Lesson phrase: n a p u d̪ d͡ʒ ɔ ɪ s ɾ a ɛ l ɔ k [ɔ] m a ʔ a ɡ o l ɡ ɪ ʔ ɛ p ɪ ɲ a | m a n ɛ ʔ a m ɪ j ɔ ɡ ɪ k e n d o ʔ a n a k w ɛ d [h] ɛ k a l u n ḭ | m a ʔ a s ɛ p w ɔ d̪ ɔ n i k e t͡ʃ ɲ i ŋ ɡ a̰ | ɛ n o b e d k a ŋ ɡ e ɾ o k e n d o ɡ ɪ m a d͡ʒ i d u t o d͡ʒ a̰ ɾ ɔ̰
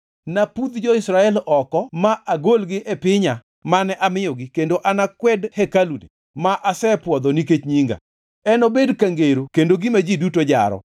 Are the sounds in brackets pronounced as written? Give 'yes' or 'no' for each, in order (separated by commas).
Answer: yes, yes